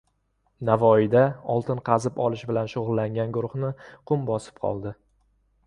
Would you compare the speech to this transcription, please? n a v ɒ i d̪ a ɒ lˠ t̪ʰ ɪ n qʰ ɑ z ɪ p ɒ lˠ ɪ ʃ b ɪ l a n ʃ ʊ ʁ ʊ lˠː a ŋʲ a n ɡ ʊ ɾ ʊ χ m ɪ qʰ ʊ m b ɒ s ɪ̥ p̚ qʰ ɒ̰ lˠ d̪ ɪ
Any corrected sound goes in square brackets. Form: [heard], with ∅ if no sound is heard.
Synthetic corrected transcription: n a v ɒ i d̪ a ɒ lˠ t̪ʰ ɪ n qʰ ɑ z ɪ p ɒ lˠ ɪ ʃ b ɪ l a n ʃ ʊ ʁ ʊ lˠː a ŋʲ a n ɡ ʊ ɾ ʊ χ [n] ɪ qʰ ʊ m b ɒ s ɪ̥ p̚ qʰ ɒ̰ lˠ d̪ ɪ